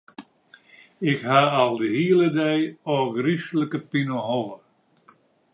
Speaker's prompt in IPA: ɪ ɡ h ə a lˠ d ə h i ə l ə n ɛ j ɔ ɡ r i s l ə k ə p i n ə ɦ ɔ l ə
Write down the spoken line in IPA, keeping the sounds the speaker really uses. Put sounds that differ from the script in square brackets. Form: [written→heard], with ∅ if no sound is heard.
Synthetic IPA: ɪ [ɡ→k] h [ə→a] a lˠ d ə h i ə l ə [n→d] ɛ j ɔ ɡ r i s l ə k ə p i n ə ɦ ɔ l ə